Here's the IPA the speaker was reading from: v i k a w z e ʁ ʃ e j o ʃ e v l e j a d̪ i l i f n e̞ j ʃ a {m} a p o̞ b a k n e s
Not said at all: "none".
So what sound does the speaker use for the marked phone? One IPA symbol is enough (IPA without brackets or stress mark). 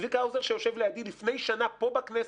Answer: n